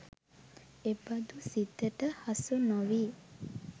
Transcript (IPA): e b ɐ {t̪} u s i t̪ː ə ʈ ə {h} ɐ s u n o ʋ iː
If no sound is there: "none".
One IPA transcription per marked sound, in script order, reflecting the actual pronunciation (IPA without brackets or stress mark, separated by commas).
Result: d̪, h